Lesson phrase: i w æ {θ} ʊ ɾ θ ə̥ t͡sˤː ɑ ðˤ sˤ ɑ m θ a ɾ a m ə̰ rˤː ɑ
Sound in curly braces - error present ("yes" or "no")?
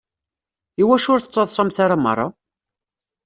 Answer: yes